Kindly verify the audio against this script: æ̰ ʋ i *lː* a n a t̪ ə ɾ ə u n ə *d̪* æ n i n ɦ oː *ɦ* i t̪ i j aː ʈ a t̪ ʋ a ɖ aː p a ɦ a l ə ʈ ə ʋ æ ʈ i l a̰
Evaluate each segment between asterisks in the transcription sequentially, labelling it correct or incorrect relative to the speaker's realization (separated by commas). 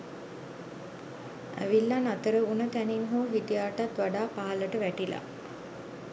correct, incorrect, correct